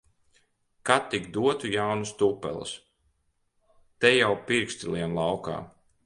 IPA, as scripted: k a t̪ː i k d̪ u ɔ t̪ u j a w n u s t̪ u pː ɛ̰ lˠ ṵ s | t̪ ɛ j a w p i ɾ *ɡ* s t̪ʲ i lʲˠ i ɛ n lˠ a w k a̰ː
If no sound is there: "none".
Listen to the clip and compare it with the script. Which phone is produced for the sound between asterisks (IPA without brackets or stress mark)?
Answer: k